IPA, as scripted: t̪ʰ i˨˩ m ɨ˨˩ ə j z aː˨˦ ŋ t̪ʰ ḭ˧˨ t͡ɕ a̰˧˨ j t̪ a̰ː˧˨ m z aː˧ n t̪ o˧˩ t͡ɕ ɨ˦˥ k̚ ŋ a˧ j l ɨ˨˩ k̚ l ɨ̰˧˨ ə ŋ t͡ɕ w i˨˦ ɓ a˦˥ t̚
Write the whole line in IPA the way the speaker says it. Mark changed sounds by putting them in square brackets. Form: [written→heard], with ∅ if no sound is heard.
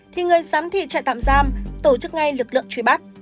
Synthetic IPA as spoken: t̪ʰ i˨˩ [m→ŋ] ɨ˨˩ ə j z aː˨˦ [ŋ→m] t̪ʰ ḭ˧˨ t͡ɕ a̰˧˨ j t̪ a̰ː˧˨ m z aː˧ [n→m] t̪ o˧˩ t͡ɕ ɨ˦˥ k̚ ŋ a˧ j l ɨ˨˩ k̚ l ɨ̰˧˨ ə ŋ t͡ɕ w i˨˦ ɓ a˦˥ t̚